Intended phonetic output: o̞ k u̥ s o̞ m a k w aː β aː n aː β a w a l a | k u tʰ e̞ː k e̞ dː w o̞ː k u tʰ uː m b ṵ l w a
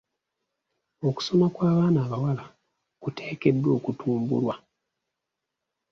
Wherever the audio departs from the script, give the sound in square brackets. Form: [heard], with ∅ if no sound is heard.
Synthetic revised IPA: o̞ k u̥ s o̞ m a k w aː β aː n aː β a w a l a | k u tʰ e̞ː k e̞ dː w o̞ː k u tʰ uː m b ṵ l w a